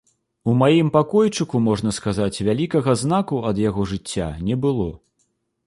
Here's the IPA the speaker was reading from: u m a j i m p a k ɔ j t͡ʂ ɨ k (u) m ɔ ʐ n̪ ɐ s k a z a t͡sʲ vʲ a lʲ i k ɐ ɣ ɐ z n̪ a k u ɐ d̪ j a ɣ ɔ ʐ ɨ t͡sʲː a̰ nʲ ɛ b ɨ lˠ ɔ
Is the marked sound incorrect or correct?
correct